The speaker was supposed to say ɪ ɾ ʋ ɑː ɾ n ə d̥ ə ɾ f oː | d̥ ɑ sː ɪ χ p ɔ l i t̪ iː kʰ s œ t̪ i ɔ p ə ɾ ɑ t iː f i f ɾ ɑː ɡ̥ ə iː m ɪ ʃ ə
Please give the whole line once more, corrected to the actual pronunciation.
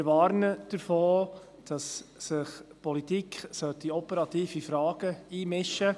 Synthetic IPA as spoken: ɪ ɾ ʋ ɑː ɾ n ə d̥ ə ɾ f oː | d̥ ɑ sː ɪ χ p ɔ l i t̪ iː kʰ s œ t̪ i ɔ p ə ɾ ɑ t iː f i f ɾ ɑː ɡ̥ ə iː m ɪ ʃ ə